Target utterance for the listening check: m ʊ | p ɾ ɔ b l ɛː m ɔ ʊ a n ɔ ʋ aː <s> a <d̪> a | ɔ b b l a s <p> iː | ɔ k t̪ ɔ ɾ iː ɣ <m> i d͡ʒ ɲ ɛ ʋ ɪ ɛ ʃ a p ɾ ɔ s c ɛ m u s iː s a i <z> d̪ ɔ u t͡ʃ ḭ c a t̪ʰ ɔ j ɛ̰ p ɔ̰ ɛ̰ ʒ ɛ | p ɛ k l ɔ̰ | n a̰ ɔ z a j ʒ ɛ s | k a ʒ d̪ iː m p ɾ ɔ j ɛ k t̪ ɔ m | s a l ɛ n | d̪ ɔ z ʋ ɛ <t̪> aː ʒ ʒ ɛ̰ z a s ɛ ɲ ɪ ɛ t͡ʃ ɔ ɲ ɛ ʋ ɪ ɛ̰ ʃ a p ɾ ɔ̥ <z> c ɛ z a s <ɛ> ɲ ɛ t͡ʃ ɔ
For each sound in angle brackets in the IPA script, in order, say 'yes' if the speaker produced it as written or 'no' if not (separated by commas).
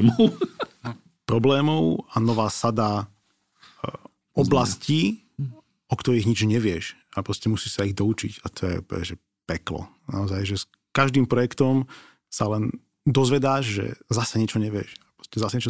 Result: yes, yes, no, no, no, no, no, yes